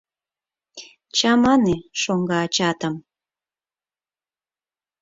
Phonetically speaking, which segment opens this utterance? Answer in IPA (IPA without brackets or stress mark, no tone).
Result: t͡ɕ